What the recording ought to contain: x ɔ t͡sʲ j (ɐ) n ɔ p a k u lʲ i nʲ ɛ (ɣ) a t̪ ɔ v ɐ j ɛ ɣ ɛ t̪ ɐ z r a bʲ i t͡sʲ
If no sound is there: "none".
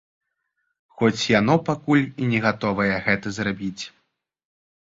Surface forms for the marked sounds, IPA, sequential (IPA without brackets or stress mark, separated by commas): a, ɣ